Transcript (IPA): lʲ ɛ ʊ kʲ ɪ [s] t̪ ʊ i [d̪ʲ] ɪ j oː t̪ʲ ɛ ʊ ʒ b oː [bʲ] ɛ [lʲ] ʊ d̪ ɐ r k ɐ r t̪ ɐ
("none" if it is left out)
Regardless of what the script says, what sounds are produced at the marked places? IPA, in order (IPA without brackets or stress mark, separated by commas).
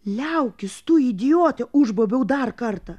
s, d̪ʲ, bʲ, none